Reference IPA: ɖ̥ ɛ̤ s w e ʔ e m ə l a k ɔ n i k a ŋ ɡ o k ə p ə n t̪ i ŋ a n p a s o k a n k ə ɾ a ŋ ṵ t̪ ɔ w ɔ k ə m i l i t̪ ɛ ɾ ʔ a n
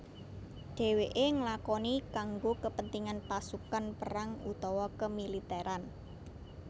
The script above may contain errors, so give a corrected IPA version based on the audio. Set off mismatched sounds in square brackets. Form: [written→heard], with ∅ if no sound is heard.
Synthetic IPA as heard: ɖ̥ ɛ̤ [s→∅] w e ʔ e [m→ŋ] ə l a k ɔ n i k a ŋ ɡ o k ə p ə n t̪ i ŋ a n p a s [o→u] k a n [k→p] ə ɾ a ŋ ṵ t̪ ɔ w ɔ k ə m i l i t̪ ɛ ɾ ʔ a n